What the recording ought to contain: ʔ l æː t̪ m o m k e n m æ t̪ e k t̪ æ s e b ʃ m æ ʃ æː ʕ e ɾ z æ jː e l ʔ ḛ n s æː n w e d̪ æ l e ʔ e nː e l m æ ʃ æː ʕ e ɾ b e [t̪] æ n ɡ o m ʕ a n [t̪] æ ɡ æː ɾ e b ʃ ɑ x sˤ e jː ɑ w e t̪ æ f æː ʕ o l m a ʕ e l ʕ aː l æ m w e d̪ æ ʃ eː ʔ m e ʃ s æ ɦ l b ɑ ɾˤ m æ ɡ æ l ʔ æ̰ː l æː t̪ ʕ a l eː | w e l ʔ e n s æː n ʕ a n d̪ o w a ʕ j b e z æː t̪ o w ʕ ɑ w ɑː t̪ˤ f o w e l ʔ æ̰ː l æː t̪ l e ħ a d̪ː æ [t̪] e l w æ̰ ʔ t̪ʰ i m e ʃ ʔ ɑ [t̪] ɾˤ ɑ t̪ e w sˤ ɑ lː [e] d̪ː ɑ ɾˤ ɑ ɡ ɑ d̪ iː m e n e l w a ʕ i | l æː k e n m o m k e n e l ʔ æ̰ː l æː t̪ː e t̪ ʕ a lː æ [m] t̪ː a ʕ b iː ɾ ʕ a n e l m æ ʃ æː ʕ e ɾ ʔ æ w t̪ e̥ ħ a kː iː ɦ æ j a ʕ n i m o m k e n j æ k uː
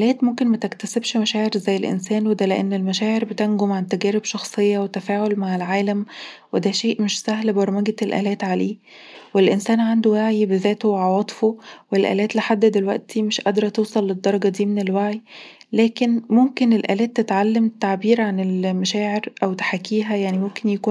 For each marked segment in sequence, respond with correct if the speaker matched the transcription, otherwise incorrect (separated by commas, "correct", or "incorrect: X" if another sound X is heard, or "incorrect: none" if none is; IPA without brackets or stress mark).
correct, correct, incorrect: d̪, incorrect: d̪, correct, correct